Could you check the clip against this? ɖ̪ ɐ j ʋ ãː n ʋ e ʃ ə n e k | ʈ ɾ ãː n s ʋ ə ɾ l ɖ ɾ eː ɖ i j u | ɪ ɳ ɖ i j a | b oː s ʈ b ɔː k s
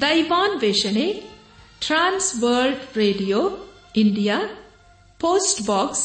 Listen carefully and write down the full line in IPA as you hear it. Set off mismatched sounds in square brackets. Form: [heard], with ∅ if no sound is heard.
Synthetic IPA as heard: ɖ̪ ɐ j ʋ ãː n ʋ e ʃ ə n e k | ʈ ɾ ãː n s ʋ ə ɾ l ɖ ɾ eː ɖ i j [o] | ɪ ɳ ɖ i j a | [p] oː s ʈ b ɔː k s